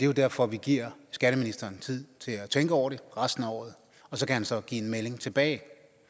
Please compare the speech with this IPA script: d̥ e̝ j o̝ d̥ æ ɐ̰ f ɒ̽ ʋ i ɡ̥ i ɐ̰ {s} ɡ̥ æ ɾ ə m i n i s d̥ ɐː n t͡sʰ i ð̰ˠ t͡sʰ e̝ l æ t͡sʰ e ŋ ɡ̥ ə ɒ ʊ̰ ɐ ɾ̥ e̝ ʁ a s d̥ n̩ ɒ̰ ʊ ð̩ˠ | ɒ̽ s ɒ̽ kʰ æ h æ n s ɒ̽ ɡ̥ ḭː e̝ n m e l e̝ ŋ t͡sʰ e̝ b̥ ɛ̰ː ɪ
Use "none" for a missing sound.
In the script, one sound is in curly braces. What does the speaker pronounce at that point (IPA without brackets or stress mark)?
s